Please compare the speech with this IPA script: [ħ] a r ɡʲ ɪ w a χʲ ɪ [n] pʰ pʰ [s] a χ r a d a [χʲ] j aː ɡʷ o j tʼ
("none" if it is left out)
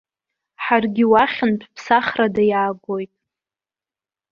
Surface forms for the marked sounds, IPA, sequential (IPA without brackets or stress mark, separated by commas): ħ, n, s, none